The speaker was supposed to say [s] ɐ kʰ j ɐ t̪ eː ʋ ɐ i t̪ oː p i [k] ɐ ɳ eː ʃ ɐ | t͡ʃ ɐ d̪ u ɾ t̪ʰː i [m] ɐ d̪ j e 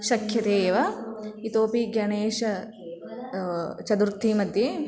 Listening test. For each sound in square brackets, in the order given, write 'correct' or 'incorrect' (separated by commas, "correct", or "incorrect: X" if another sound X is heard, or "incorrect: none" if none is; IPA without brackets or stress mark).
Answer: incorrect: ʃ, incorrect: ɡ, correct